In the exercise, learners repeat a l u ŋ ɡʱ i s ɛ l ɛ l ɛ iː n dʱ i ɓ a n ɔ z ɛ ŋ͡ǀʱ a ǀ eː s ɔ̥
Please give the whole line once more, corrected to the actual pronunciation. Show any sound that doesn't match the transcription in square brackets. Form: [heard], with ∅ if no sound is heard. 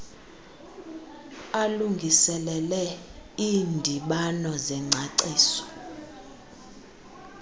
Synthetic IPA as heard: a l u ŋ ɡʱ i s ɛ l ɛ l ɛ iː n dʱ i ɓ a n ɔ z ɛ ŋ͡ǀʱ a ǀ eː s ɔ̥